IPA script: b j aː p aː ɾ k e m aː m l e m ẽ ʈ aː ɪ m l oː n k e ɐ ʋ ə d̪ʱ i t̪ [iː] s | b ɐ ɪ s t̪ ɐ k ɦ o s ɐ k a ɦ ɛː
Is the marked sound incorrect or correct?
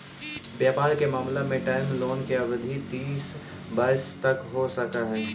correct